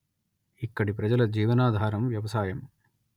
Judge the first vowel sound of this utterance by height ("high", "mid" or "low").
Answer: high